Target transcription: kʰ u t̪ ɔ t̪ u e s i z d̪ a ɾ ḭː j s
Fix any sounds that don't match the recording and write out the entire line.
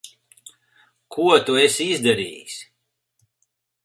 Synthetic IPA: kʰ u ɔ t̪ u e s i z d̪ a ɾ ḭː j s